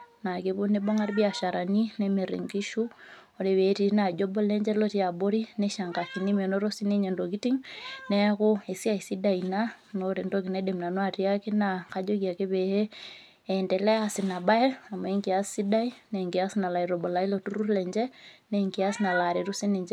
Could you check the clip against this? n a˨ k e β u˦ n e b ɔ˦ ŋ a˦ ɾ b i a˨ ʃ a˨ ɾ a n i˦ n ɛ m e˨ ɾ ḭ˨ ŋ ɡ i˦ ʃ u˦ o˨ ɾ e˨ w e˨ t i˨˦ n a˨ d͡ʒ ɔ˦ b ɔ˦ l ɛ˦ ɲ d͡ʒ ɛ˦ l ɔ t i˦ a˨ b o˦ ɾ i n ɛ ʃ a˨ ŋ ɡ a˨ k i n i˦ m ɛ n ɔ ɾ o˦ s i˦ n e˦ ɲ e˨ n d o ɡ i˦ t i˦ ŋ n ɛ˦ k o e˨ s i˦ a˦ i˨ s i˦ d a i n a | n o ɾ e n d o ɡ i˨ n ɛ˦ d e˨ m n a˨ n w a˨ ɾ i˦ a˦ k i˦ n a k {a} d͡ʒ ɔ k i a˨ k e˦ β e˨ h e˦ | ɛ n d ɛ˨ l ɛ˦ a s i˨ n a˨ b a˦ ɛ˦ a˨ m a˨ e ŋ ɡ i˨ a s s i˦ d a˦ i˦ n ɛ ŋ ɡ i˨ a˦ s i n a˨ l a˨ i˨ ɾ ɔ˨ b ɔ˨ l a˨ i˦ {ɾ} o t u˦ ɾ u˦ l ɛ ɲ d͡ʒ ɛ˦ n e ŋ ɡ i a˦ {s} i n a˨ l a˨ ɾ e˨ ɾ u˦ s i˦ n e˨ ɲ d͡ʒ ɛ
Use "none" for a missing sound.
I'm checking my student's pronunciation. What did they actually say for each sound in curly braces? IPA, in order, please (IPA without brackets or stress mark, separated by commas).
a, l, s